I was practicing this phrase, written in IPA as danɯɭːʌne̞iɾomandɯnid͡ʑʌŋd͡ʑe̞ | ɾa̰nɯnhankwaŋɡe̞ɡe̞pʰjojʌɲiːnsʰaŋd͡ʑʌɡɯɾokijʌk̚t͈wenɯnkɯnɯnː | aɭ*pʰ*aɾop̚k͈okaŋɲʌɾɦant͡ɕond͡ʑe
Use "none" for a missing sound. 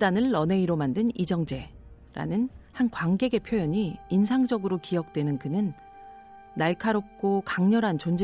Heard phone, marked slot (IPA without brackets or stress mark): kʰ